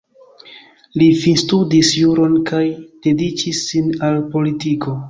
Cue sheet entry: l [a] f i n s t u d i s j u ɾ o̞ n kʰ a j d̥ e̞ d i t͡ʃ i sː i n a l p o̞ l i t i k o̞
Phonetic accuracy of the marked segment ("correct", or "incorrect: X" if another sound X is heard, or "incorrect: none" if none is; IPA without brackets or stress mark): incorrect: i